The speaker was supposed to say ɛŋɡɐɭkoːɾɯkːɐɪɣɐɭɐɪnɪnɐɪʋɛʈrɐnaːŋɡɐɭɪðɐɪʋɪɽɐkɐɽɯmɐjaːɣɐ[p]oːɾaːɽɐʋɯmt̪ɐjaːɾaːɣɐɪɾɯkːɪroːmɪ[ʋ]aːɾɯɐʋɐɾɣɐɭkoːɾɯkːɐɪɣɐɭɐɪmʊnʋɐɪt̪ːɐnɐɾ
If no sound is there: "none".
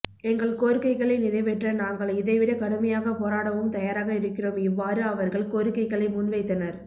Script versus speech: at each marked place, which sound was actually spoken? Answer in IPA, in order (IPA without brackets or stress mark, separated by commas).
p, ʋː